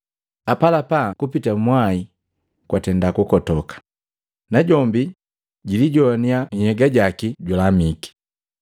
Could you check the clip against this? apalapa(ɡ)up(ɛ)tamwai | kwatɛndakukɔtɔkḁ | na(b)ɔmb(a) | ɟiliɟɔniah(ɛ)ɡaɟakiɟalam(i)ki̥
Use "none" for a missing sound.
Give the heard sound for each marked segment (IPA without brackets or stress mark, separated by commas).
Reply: k, i, ɟ, i, ɛ, i